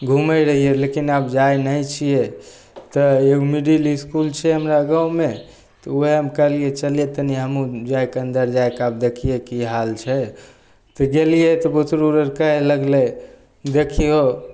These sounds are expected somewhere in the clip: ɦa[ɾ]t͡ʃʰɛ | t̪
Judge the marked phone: incorrect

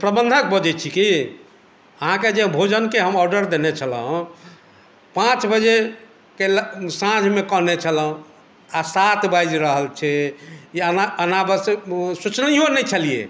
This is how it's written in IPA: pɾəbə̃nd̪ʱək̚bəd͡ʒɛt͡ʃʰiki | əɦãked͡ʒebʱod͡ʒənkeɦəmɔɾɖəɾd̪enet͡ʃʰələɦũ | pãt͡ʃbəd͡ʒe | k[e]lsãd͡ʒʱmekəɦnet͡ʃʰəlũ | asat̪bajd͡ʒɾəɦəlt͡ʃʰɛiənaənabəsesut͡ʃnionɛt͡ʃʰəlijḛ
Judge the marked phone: correct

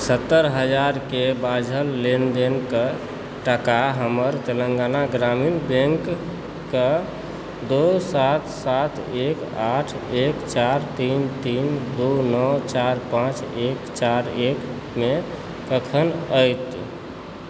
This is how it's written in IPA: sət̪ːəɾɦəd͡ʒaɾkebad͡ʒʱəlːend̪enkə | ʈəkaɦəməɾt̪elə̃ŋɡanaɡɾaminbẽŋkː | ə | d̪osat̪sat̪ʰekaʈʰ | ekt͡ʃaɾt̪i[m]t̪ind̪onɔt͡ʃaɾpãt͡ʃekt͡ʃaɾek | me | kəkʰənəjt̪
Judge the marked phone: incorrect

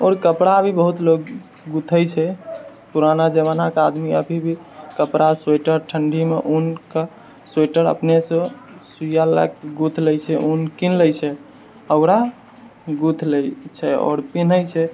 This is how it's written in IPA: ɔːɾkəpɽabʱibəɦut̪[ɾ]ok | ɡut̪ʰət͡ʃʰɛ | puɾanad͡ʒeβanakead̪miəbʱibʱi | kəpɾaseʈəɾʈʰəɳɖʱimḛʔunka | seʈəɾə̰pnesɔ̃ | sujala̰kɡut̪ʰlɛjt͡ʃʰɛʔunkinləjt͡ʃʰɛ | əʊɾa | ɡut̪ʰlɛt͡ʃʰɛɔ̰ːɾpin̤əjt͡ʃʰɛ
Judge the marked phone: incorrect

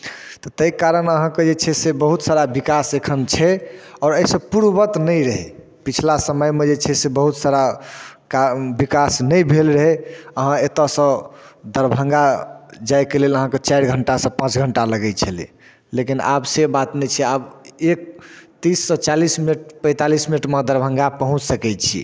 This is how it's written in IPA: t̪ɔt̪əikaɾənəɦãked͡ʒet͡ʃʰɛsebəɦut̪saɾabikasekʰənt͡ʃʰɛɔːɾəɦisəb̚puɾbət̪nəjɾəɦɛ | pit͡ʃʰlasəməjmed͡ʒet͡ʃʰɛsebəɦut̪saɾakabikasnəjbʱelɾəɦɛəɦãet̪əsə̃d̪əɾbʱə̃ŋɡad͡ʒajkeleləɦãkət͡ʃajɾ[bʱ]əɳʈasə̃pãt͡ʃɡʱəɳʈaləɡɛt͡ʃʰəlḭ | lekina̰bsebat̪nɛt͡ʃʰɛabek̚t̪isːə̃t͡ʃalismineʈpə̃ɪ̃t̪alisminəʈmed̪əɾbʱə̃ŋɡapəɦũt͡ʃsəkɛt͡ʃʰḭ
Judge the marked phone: incorrect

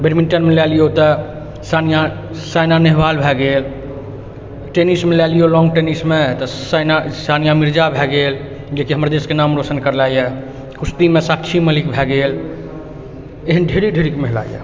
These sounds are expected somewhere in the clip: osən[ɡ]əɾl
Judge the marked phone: incorrect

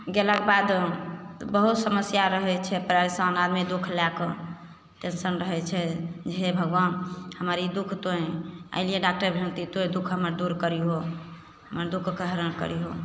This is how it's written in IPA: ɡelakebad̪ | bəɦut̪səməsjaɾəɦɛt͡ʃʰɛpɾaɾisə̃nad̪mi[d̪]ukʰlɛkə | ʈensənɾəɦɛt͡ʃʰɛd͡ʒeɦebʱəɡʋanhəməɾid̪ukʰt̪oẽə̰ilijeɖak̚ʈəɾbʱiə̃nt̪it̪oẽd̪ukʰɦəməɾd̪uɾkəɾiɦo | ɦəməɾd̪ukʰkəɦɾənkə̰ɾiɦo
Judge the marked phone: correct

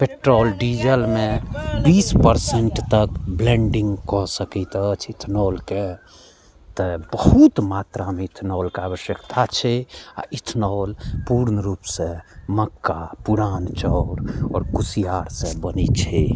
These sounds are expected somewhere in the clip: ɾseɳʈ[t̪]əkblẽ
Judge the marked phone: correct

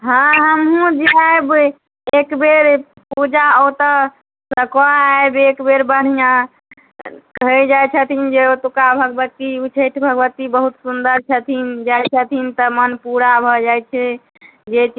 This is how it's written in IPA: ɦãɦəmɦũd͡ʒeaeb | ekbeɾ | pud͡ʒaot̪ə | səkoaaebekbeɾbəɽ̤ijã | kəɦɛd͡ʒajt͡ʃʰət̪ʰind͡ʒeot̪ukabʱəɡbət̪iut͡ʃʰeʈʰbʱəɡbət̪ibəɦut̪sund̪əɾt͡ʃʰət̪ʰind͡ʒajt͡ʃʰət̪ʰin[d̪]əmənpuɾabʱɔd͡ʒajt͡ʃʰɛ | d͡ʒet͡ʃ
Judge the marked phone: incorrect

